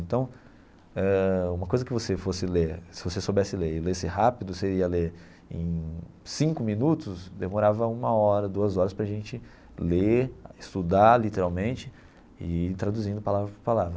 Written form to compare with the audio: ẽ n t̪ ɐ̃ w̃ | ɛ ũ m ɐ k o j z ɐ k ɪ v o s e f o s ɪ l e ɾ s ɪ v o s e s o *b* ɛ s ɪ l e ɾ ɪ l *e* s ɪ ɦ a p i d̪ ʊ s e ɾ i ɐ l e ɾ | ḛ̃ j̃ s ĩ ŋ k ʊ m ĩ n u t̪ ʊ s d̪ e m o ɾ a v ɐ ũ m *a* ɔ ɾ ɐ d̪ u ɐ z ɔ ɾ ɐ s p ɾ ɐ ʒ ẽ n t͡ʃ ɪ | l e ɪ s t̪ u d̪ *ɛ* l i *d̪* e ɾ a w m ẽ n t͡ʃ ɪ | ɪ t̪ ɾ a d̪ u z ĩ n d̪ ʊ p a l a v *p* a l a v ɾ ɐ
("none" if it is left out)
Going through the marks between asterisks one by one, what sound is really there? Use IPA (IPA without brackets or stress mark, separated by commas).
b, e, ɐ, a, t̪, p